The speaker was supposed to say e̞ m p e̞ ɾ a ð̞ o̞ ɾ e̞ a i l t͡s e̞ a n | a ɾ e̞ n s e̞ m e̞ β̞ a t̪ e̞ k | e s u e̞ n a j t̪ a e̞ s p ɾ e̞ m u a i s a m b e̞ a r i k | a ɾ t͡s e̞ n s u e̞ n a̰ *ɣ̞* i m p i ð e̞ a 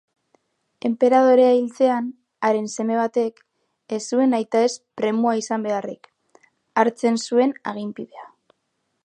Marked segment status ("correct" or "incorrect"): correct